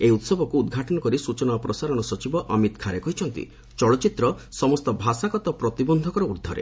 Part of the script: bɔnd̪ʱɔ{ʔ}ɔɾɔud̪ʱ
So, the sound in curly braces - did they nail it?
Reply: no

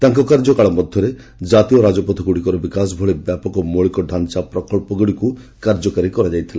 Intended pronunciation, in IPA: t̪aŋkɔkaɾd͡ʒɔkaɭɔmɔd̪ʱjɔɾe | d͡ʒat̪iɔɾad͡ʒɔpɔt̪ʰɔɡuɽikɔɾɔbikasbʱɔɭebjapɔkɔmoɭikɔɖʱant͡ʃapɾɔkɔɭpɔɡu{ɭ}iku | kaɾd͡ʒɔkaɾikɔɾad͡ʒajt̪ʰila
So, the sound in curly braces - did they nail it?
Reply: no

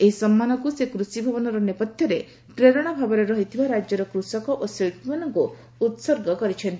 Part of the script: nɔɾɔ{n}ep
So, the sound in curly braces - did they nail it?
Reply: yes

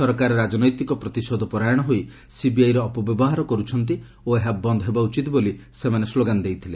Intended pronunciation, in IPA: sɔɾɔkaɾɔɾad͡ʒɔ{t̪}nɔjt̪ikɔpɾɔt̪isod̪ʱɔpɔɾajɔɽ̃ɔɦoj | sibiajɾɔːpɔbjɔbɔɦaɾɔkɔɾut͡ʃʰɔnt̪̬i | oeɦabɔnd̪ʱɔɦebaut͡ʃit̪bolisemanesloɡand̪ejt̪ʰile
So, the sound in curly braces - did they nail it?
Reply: no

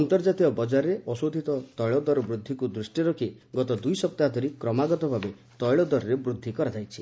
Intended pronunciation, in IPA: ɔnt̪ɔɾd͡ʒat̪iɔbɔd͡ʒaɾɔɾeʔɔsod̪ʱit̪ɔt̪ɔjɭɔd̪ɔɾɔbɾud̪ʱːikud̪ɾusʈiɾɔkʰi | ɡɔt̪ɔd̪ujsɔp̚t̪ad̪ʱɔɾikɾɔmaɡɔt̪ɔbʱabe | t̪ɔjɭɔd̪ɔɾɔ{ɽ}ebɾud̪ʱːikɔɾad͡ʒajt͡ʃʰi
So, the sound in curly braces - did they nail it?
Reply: no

